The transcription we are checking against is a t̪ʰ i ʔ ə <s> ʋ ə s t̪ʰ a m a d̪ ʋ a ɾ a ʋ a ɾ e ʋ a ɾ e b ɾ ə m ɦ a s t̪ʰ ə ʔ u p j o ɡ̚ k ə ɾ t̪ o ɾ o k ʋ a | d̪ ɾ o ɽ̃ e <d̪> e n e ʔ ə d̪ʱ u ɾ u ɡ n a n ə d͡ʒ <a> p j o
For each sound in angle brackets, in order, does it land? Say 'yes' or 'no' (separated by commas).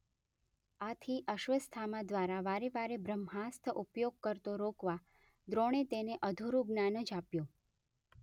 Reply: no, no, yes